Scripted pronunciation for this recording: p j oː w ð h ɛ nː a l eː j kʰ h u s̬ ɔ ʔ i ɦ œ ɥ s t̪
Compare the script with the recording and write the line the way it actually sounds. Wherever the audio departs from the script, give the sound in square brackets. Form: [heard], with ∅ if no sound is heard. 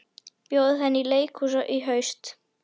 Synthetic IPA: p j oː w ð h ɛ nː [i] l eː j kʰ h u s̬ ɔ ʔ i ɦ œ ɥ s t̪

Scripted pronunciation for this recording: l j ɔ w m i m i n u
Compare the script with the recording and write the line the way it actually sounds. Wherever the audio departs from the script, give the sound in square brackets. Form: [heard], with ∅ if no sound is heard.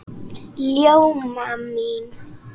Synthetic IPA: l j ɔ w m [a] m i n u

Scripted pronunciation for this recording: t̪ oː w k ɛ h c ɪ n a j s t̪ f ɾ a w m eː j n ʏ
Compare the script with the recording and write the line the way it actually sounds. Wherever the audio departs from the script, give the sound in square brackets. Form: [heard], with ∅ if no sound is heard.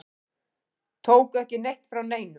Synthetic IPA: [t̪ʰ] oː w k ɛ h c ɪ n [e] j [h] t̪ f ɾ a w [n] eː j n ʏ

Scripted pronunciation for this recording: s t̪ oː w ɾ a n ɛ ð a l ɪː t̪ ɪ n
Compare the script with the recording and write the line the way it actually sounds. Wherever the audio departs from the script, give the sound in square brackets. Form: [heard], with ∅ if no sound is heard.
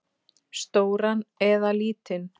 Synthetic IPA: s t̪ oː w ɾ a n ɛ ð a l [iː] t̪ ɪ n

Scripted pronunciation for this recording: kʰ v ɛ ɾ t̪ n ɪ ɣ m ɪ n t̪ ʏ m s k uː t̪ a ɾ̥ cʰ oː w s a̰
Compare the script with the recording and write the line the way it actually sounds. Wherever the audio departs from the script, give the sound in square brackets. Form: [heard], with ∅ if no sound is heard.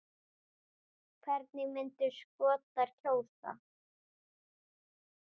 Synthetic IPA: kʰ v ɛ ɾ t̪ n ɪ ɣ m ɪ n t̪ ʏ [∅] s k [ɔː] t̪ a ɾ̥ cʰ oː w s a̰

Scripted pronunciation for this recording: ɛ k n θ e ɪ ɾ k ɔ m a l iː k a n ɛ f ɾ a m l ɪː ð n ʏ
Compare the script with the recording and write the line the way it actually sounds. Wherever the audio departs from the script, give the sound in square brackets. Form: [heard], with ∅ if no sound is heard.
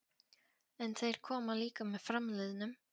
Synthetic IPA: ɛ [∅] n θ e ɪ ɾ [kʰ] ɔ m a l iː k a [m] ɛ f ɾ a m l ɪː ð n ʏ

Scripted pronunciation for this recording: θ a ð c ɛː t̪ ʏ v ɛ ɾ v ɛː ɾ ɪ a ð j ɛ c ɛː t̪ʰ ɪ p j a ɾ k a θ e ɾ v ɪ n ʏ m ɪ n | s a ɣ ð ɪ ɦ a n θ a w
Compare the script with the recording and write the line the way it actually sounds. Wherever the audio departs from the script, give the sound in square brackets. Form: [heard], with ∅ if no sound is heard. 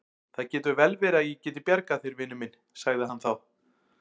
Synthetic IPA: θ a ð c ɛː t̪ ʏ v ɛ [l] v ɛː ɾ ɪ a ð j ɛ c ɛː [t̪] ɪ p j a ɾ k a θ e ɾ v ɪ n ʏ m ɪ n | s a ɣ ð ɪ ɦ a n θ a w

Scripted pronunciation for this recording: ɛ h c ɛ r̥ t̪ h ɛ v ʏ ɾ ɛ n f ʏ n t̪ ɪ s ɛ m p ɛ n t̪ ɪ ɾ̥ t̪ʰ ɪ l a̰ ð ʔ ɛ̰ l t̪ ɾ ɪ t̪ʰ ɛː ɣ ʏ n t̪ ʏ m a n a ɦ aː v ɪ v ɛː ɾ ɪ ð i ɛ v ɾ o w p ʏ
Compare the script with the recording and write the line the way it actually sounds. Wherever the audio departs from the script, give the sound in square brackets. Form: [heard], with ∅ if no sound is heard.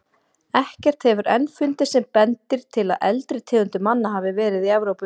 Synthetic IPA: ɛ h c ɛ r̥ t̪ h ɛ v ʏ ɾ ɛ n f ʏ n t̪ ɪ s ɛ m p ɛ n t̪ ɪ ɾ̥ t̪ʰ ɪ l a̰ ð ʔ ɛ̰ l t̪ ɾ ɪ t̪ʰ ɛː ɣ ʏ n t̪ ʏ m a [nː] a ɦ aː v ɪ v ɛː ɾ ɪ ð i ɛ v ɾ o w p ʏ

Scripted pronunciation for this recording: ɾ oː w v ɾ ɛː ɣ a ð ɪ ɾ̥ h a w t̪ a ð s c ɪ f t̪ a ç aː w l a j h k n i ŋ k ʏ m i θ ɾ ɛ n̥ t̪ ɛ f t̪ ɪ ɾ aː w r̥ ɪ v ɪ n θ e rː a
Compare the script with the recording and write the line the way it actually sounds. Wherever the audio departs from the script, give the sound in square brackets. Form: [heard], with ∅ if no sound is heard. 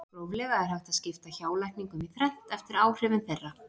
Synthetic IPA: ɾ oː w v [l] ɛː ɣ a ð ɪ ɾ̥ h a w t̪ a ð s c ɪ f t̪ a ç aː w l a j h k n i ŋ k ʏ m i θ ɾ ɛ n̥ t̪ ɛ f t̪ ɪ ɾ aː w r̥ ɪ v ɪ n θ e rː a

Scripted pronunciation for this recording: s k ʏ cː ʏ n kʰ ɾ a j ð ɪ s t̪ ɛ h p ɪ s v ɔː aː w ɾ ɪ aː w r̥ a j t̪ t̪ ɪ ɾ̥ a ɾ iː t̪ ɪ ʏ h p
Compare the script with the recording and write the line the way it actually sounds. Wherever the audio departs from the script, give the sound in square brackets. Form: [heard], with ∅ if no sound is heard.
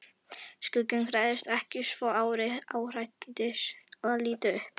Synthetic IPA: s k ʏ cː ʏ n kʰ ɾ a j ð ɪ s t̪ ɛ h [c] ɪ s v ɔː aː w ɾ ɪ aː w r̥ a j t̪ t̪ ɪ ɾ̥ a [l] iː t̪ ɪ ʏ h p

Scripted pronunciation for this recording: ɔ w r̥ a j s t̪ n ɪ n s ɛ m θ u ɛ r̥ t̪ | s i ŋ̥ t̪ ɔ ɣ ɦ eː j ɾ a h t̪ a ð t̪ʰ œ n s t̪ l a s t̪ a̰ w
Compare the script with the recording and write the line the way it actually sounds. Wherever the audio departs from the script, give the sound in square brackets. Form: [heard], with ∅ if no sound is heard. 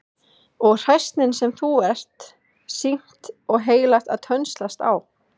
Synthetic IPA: ɔ [ɣ] r̥ a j s t̪ n ɪ n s ɛ m θ u ɛ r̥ t̪ | s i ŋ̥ t̪ ɔ ɣ ɦ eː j [l] a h t̪ a ð t̪ʰ œ n s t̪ l a s t̪ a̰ w

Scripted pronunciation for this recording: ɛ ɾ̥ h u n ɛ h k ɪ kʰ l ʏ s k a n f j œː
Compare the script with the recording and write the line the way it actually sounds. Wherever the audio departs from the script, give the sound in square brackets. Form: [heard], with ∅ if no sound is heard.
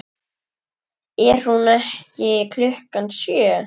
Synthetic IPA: ɛ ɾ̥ h u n ɛ h [c] ɪ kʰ l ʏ [h] k a n [s] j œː

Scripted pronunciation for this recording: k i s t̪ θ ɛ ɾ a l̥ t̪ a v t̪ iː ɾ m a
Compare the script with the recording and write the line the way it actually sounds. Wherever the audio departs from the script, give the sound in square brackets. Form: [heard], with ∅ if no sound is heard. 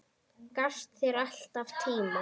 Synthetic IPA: k [a] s t̪ θ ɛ ɾ a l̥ t̪ a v [t̪ʰ] iː [∅] m a

